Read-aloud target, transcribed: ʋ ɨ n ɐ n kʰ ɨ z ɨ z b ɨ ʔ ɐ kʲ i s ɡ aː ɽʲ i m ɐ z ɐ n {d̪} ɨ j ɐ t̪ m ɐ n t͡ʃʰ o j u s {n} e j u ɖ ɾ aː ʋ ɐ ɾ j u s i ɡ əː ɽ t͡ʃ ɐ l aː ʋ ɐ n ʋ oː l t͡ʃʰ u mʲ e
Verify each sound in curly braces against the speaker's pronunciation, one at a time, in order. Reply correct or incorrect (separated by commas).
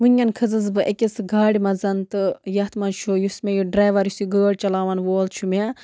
incorrect, incorrect